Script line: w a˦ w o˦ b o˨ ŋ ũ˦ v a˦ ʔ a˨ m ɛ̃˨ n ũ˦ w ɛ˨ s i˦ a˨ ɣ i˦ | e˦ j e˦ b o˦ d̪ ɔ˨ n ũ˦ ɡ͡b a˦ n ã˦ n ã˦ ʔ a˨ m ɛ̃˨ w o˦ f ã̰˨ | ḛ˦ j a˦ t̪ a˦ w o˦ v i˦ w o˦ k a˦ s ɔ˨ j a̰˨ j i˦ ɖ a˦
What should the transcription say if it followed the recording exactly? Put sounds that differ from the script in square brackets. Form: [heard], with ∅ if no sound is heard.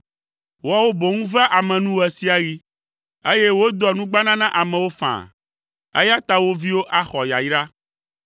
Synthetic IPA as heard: w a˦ w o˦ b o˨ ŋ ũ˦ v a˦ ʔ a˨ m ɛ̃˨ n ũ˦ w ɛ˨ s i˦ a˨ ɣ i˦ | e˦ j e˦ [w] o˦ d̪ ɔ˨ n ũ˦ ɡ͡b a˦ n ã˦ n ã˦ ʔ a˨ m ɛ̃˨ w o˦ f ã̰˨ | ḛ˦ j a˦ t̪ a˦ w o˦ v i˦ w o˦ [ʔ] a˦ [x] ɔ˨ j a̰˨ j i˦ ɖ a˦